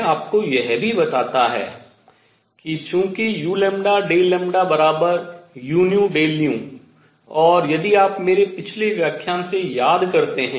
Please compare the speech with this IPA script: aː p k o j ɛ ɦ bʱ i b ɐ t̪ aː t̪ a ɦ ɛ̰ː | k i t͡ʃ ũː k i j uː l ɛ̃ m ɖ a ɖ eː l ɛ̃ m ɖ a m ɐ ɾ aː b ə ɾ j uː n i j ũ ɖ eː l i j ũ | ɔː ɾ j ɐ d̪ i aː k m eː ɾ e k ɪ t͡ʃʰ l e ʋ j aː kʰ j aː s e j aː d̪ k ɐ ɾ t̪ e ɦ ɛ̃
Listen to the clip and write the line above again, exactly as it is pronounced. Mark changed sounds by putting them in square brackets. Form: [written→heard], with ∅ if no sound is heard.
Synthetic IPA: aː p k o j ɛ ɦ bʱ i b ɐ t̪ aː t̪ a ɦ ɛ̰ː | k i t͡ʃ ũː k i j uː l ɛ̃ m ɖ a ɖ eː l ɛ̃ m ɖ a [m→b] ɐ ɾ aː b ə ɾ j uː n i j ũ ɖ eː l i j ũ | ɔː ɾ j ɐ d̪ i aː [k→p] m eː ɾ e [k→p] ɪ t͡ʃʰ l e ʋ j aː kʰ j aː s e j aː d̪ k ɐ ɾ t̪ e ɦ ɛ̃